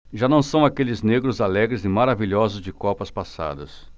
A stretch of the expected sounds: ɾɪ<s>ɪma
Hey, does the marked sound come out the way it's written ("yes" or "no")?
no